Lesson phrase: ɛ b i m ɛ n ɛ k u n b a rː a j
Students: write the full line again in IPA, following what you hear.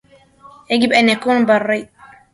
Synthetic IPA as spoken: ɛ ɡ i b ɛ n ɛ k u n b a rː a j